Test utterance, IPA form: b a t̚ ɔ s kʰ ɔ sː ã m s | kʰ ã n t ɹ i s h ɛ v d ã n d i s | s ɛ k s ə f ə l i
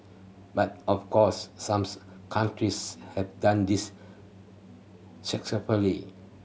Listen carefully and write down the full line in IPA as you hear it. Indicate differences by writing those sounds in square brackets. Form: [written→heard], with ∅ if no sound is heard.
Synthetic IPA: b a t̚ ɔ [s→f] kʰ ɔ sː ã m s | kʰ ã n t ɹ i s h ɛ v d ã n d i s | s ɛ k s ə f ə l i